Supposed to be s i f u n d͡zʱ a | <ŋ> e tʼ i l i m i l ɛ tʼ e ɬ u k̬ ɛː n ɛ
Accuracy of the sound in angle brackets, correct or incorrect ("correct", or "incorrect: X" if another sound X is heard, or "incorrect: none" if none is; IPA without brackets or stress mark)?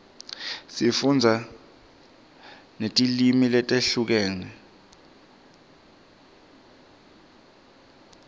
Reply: incorrect: n